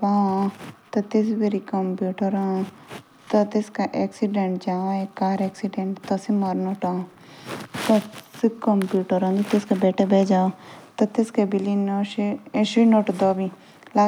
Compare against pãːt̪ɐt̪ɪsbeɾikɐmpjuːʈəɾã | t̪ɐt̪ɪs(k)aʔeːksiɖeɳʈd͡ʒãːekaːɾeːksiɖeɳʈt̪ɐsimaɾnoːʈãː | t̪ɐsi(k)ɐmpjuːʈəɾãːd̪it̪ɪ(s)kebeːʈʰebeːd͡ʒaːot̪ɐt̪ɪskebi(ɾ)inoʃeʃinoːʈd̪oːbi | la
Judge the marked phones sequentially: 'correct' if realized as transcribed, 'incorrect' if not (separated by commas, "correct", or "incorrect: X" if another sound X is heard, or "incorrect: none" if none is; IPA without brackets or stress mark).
correct, correct, correct, incorrect: l